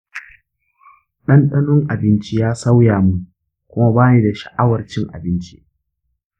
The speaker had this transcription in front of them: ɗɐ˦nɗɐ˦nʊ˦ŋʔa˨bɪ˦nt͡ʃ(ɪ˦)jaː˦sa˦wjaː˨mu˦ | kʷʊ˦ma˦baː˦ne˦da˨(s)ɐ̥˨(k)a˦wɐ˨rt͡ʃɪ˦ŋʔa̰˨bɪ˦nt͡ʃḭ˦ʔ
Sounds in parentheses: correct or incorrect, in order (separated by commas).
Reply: incorrect, incorrect, incorrect